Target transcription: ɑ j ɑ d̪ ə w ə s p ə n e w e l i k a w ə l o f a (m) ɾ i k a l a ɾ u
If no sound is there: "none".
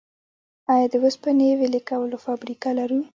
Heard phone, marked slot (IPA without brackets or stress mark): b